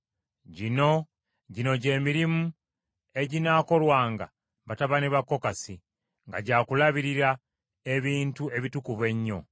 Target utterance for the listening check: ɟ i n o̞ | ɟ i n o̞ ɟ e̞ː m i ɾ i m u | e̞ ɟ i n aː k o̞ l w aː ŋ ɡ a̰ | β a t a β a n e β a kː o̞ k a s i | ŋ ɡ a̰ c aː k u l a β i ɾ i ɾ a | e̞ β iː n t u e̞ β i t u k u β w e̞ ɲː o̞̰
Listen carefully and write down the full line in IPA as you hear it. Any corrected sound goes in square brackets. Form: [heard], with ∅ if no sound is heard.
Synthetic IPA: ɟ i n o̞ | ɟ i n o̞ ɟ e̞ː m i ɾ i m u | e̞ ɟ i n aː k o̞ l w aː ŋ ɡ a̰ | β a t a β a n e β a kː o̞ k a s i | ŋ ɡ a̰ [ɟ] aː k u l a β i ɾ i ɾ a | e̞ β iː n t u e̞ β i t u k u β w e̞ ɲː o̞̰